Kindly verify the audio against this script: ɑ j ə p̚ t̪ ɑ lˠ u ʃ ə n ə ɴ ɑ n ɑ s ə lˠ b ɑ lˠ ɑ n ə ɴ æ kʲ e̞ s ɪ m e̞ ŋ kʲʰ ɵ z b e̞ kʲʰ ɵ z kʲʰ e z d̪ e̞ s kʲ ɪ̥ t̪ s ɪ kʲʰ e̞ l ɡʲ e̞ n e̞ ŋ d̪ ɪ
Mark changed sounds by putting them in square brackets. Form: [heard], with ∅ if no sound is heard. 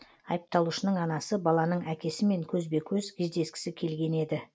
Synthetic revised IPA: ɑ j ə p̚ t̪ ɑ lˠ u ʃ ə n ə ɴ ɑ n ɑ s ə [∅] b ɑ lˠ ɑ n ə ɴ æ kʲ e̞ s ɪ m e̞ ŋ kʲʰ ɵ z b e̞ kʲʰ ɵ z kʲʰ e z d̪ e̞ s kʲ ɪ̥ [∅] s ɪ kʲʰ e̞ l ɡʲ e̞ n e̞ [∅] d̪ ɪ